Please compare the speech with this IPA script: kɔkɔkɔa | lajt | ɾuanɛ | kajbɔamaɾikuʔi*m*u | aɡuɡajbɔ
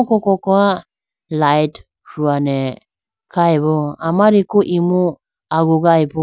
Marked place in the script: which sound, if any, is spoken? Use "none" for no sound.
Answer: m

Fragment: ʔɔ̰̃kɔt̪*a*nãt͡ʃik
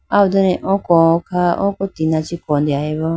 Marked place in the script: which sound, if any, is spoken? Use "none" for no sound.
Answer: i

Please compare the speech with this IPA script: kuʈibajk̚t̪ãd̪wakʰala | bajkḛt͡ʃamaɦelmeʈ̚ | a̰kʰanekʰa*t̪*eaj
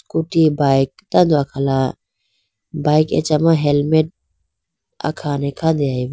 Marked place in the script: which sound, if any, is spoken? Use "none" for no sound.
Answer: d̪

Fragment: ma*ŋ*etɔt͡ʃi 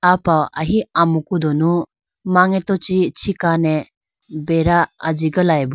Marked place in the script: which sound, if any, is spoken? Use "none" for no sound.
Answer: ŋ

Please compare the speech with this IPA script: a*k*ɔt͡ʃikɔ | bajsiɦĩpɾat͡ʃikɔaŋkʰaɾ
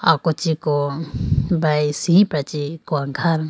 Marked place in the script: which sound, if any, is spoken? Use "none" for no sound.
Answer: k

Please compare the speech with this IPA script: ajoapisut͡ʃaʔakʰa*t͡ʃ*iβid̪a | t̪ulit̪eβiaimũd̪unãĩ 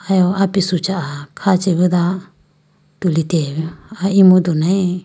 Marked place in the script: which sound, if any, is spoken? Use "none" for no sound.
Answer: t͡ʃ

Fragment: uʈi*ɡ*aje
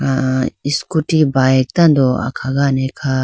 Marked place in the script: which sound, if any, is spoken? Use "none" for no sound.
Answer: b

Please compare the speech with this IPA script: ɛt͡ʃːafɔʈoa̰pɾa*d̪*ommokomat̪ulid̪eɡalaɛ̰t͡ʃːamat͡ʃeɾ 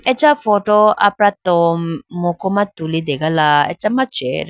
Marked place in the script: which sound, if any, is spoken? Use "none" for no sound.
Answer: t̪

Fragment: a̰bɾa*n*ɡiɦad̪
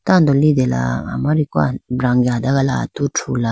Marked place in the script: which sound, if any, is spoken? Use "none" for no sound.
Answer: ŋ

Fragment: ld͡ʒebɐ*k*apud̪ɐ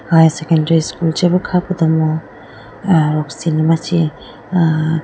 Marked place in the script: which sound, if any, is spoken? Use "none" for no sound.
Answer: kʰ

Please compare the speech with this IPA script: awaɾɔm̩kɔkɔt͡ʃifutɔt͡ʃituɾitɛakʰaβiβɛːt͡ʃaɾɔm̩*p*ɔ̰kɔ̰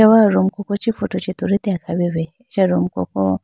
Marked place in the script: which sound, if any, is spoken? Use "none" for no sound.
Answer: k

